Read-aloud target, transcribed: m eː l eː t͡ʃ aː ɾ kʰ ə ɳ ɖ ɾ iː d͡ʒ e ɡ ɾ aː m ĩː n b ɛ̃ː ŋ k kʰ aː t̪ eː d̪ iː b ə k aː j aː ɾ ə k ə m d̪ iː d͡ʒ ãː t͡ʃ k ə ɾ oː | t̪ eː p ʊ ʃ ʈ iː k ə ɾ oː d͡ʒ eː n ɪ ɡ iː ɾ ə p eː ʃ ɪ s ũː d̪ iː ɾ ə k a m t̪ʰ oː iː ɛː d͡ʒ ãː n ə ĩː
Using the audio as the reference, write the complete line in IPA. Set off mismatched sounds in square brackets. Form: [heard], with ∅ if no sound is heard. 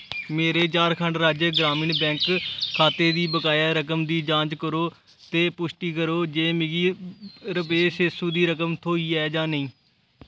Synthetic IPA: m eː [ɾ] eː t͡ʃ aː ɾ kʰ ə ɳ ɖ ɾ [aː] d͡ʒ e ɡ ɾ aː m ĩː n b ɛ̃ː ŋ k kʰ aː t̪ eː d̪ iː b ə k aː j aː ɾ ə k ə m d̪ iː d͡ʒ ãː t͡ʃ k ə ɾ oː | t̪ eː p ʊ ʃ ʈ iː k ə ɾ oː d͡ʒ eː [m] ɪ ɡ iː ɾ ə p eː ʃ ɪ s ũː d̪ iː ɾ ə k [ə] m t̪ʰ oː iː ɛː d͡ʒ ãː n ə ĩː